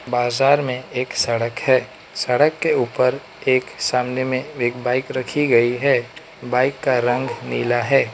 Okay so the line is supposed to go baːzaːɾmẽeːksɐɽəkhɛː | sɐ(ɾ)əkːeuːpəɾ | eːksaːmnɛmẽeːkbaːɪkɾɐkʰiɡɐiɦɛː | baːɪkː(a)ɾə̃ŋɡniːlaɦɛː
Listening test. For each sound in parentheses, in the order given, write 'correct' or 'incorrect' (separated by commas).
incorrect, correct